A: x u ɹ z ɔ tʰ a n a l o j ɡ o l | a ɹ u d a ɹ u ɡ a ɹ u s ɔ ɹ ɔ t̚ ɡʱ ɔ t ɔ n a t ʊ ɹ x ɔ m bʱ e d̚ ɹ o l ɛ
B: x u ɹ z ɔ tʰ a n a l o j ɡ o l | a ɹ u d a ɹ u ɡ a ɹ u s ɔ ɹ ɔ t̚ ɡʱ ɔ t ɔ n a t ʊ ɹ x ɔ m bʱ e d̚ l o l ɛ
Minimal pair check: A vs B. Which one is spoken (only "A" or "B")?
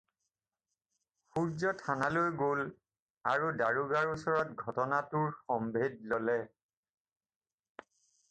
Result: B